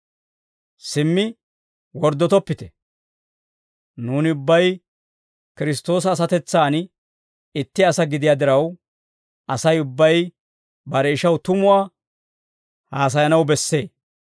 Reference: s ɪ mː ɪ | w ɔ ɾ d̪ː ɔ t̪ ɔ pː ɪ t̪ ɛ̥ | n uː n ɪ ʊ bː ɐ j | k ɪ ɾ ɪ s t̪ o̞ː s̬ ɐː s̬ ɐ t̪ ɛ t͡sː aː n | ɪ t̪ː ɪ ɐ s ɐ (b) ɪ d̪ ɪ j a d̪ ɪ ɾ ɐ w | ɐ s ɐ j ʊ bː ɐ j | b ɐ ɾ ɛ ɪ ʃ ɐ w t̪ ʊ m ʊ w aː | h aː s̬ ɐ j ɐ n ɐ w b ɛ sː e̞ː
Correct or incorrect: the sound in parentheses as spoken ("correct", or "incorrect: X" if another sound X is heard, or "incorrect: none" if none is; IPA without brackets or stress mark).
incorrect: ɡ